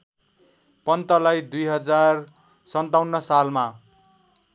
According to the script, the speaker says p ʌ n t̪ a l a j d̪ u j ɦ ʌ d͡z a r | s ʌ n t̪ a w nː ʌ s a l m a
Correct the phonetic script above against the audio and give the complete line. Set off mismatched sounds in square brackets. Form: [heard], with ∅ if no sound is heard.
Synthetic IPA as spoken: p ʌ n t̪ [ʌ] l a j d̪ u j ɦ ʌ d͡z a r | s ʌ n t̪ a w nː ʌ s a l m a